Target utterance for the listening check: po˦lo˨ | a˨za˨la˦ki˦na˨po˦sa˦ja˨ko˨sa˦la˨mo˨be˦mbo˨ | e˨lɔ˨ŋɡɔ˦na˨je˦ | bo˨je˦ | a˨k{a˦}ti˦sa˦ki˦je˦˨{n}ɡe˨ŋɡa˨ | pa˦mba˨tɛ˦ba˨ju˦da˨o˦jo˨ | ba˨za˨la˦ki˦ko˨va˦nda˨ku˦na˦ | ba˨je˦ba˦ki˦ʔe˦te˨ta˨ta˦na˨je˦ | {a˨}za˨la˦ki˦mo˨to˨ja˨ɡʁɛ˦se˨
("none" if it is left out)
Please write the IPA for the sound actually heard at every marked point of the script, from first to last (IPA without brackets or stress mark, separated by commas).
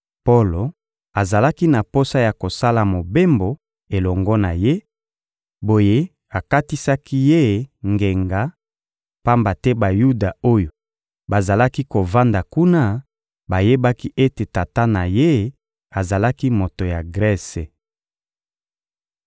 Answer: a˦, ŋ, a˨